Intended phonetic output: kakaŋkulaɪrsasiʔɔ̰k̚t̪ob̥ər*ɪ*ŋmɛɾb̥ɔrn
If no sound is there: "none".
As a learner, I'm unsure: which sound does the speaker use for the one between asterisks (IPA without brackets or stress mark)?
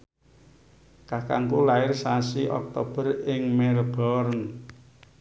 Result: ɪ